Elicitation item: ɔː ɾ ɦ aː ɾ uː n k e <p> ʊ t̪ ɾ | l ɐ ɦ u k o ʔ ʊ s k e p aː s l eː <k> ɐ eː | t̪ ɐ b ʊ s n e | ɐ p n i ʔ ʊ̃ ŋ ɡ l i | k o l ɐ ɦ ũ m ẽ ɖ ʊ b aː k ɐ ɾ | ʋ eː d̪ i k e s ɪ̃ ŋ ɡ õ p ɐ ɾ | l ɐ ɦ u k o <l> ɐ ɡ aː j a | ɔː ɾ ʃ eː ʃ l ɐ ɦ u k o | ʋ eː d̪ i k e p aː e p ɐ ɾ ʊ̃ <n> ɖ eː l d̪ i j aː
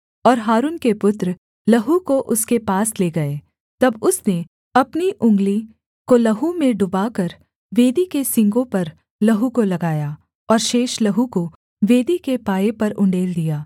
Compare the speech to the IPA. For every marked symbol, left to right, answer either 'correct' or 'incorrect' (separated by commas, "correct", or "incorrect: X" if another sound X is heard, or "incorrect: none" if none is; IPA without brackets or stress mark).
correct, incorrect: ɡ, correct, incorrect: ɳ